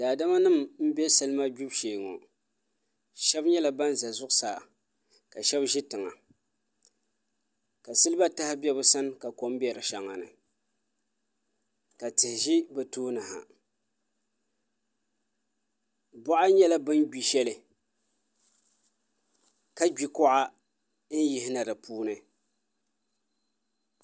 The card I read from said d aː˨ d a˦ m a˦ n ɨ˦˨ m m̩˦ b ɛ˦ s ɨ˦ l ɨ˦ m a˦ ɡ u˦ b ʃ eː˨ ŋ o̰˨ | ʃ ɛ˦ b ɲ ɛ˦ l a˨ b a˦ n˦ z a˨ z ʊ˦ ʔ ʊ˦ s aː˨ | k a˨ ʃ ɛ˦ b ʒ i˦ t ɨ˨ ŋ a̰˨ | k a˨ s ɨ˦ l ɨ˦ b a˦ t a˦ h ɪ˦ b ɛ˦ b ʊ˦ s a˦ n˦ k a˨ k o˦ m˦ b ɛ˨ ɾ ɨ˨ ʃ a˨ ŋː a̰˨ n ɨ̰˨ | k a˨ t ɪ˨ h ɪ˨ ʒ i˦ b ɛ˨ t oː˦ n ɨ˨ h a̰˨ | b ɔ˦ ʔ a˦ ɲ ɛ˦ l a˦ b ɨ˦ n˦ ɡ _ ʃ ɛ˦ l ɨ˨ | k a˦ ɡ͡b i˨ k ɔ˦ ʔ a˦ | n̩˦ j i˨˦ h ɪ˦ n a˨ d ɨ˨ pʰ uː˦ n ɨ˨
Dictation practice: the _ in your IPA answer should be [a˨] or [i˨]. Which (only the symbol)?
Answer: i˨